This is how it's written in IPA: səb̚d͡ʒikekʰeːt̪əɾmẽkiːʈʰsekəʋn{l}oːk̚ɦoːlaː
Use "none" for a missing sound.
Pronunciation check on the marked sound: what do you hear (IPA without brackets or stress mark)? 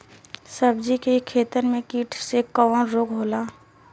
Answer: ɾ